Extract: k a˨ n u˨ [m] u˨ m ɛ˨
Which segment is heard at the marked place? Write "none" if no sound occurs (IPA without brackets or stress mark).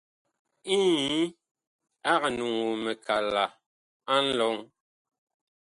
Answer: ŋ